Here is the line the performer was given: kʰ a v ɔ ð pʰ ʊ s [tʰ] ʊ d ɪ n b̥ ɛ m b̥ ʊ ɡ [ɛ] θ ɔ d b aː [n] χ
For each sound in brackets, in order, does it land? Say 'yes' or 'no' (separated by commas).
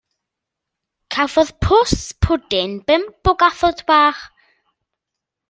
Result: no, no, no